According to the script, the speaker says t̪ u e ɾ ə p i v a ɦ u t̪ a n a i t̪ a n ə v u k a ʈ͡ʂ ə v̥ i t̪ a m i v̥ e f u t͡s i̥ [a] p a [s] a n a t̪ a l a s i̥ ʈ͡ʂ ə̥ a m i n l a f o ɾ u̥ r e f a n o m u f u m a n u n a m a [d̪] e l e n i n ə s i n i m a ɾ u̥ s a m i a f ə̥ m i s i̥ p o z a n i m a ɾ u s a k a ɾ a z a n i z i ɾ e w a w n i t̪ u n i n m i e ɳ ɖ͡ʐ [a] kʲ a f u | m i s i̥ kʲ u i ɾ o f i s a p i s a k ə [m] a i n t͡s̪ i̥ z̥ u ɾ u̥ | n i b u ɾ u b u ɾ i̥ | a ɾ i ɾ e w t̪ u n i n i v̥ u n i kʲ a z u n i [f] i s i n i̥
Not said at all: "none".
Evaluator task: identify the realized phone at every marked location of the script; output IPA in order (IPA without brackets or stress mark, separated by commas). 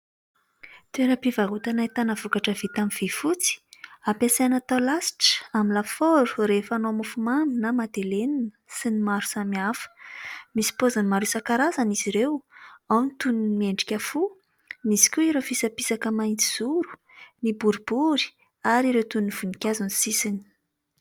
a, s, d̪, i, m, s